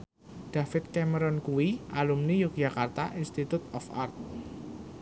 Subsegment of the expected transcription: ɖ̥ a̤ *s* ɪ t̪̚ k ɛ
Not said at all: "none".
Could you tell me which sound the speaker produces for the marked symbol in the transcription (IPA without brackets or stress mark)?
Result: f